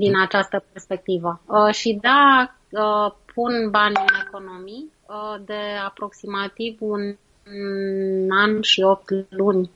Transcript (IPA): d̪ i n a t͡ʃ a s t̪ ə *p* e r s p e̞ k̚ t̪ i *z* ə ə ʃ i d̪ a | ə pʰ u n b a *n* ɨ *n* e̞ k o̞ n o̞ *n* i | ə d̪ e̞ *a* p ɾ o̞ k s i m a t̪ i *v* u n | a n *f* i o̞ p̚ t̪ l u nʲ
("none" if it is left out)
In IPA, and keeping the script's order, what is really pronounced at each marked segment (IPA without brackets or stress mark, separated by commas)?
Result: p, v, n, n, m, a, v, ʃ